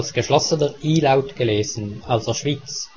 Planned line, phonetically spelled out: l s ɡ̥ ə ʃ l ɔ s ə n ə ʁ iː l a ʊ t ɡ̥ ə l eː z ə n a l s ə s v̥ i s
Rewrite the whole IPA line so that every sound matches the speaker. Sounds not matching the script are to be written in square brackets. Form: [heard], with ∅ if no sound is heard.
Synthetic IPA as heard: l s ɡ̥ ə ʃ l ɔ s ə n ə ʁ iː l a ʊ t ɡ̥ ə l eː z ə n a l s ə [ʃ] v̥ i [t͡s]